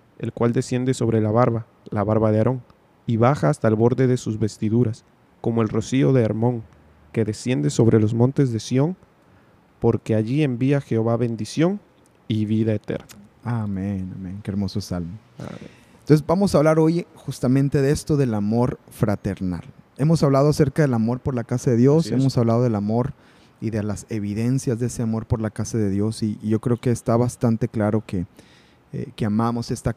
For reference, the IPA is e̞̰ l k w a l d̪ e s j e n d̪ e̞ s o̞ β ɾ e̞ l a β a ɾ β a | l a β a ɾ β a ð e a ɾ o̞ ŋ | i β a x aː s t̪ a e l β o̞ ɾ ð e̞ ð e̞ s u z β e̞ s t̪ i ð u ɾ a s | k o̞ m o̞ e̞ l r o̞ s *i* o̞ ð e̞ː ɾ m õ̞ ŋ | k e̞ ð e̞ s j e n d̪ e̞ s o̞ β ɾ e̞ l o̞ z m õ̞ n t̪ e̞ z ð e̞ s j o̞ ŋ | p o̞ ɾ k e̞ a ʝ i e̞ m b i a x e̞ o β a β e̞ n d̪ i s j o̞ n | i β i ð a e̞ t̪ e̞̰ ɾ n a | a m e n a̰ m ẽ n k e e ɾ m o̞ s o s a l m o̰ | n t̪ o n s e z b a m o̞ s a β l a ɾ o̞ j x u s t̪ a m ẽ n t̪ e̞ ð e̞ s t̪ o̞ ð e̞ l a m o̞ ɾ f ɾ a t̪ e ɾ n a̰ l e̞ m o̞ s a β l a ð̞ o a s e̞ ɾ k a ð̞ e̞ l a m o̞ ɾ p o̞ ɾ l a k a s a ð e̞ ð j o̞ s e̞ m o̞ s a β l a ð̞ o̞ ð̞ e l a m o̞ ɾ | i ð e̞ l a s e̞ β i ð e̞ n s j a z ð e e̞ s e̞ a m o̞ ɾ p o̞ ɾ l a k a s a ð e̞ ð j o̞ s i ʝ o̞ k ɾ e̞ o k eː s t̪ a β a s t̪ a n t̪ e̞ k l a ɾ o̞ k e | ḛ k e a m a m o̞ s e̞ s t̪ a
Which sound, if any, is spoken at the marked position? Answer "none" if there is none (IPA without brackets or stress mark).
i